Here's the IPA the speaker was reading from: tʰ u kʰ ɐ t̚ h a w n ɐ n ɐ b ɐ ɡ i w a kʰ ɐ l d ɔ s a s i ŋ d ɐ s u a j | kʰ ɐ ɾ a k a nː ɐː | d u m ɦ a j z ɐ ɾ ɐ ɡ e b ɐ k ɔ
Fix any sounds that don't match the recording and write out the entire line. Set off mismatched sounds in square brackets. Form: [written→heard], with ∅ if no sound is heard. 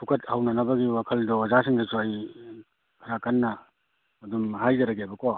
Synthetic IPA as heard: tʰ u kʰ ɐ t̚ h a w n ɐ n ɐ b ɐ ɡ i w a kʰ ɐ l d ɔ [s→z] a s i ŋ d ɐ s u a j | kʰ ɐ ɾ a k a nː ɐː | d u m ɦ a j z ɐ ɾ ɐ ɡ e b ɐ k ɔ

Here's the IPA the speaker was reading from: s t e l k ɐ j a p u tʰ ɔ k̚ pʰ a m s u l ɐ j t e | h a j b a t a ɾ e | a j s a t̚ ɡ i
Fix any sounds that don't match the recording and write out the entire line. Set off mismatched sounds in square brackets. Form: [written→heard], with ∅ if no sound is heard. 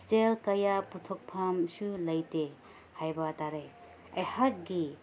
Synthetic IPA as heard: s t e l k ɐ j a p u tʰ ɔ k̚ pʰ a m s u l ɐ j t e | h a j b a t a ɾ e | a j [s→h] a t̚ ɡ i

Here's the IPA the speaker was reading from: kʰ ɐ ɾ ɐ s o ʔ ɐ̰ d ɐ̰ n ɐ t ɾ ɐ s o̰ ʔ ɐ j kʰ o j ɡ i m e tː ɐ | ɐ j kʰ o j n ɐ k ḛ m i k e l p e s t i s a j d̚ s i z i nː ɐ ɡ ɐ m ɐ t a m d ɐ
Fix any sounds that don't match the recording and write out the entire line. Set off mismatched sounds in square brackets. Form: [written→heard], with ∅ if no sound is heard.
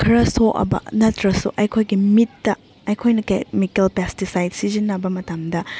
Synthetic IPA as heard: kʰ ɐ ɾ ɐ s o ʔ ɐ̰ [d→b] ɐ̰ n ɐ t ɾ ɐ s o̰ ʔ ɐ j kʰ o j ɡ i m [e→i] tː ɐ | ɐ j kʰ o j n ɐ k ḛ m i k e l p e s t i s a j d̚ s i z i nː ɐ [ɡ→b] ɐ m ɐ t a m d ɐ

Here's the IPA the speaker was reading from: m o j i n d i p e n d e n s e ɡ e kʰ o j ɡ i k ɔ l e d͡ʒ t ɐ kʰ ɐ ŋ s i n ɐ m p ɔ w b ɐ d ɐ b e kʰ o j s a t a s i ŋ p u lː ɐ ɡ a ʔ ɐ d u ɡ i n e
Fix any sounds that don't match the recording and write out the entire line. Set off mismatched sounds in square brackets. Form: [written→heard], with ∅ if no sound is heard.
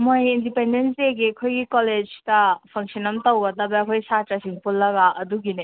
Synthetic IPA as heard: m o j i n d i p e n d e n s e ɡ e kʰ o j ɡ i k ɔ l e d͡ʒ t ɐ [kʰ→pʰ] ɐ ŋ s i n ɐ m [p→t] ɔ w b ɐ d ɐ b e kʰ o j s a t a s i ŋ p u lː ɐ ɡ a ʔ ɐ d u ɡ i n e

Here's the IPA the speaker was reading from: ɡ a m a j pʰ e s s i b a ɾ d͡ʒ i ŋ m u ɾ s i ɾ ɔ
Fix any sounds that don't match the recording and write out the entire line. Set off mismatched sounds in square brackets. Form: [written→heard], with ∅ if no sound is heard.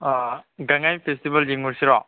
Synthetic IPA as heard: ɡ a [m→ŋ] a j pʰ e s [s→t] i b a [ɾ→l] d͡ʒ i ŋ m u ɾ s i ɾ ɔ

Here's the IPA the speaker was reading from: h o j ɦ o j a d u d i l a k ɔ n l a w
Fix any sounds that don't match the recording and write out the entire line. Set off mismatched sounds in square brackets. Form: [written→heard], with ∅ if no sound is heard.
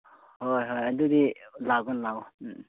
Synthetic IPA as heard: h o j ɦ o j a d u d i l a [k→ɡ] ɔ n l a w

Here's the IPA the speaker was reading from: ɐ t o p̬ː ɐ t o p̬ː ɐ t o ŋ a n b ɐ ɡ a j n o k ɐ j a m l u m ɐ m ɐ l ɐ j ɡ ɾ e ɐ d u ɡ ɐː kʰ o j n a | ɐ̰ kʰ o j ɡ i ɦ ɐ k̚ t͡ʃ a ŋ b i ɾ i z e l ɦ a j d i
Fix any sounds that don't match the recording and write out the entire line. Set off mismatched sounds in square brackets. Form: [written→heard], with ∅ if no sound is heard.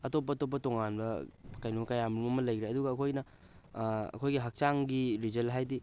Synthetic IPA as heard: ɐ t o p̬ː ɐ t o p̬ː ɐ t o ŋ a n b ɐ [ɡ→k] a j n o k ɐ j a m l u m ɐ m ɐ l ɐ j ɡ ɾ e ɐ d u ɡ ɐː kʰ o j n [a→ɐ] | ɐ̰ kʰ o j ɡ i ɦ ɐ k̚ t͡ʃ a ŋ [b→ɡ] i ɾ i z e l ɦ a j d i

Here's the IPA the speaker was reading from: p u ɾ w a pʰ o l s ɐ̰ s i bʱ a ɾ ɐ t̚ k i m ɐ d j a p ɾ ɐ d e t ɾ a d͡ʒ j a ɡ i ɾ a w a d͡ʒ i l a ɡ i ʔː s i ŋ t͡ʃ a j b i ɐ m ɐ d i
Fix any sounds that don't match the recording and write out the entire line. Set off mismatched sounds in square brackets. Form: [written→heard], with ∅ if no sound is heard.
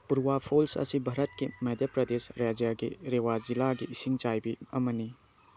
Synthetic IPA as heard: p u ɾ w a pʰ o l s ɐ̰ s i bʱ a ɾ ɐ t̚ k i m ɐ d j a p ɾ ɐ d e [t→s] ɾ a d͡ʒ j a ɡ i ɾ [a→e] w a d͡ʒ i l a ɡ i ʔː s i ŋ t͡ʃ a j b i ɐ m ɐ [d→n] i

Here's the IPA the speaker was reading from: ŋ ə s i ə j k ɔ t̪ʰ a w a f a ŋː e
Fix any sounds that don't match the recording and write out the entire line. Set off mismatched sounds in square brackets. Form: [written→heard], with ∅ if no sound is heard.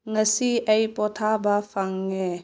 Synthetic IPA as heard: ŋ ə s i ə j [k→p] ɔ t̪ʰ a [w→b] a f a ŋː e

